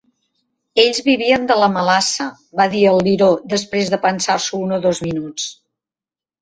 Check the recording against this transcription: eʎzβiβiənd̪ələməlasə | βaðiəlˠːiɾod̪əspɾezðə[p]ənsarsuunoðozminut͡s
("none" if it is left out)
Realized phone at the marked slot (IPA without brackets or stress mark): p